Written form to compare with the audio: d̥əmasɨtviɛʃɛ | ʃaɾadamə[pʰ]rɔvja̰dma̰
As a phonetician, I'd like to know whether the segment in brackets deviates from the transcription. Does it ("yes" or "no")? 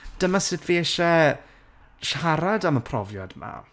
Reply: no